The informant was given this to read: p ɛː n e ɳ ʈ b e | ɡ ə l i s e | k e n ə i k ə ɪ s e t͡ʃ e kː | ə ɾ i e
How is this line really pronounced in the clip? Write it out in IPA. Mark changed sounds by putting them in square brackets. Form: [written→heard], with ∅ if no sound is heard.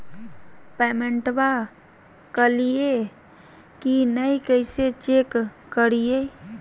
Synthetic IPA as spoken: p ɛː [n→m] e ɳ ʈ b [e→a] | [ɡ→k] ə l i [s→∅] e | k [e→i] n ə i k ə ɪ s e t͡ʃ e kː | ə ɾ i e